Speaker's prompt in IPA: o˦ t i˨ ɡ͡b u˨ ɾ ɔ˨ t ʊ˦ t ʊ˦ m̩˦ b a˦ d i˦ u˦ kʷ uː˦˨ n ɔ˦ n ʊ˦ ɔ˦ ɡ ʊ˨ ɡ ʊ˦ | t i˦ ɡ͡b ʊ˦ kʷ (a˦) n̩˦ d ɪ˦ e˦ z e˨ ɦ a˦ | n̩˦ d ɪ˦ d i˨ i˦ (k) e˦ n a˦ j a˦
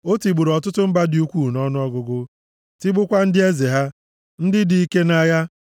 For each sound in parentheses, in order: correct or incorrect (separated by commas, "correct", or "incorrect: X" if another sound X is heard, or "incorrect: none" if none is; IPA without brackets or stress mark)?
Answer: correct, correct